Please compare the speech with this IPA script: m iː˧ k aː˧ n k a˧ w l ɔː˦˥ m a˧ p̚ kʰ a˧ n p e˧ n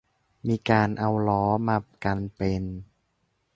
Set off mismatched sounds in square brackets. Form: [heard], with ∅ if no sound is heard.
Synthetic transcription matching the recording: m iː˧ k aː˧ n [ʔ] a˧ w l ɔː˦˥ m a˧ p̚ [k] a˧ n p e˧ n